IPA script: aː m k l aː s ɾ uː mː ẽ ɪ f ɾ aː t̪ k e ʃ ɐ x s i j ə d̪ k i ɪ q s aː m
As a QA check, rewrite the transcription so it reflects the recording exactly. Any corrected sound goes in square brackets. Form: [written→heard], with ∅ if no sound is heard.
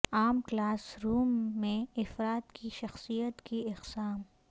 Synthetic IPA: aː m k l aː s ɾ uː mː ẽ ɪ f ɾ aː t̪ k [e→i] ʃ ɐ x s i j ə [d̪→t̪] k i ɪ q s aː m